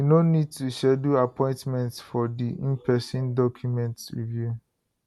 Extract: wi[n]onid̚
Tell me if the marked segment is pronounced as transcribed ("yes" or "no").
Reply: yes